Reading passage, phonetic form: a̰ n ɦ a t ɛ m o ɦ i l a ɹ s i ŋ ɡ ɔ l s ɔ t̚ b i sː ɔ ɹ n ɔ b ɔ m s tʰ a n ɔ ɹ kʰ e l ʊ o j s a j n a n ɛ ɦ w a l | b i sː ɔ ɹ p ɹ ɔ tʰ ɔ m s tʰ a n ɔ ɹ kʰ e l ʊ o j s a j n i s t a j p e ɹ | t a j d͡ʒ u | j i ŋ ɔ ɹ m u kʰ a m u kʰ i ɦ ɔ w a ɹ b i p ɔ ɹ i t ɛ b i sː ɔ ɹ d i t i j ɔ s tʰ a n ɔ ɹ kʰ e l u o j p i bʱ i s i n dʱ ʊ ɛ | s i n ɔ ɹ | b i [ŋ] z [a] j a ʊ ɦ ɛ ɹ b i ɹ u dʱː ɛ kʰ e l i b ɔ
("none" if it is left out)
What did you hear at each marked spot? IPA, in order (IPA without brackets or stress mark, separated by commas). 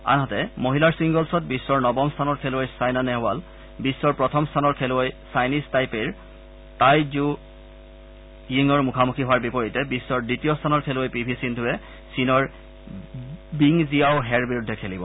ŋ, i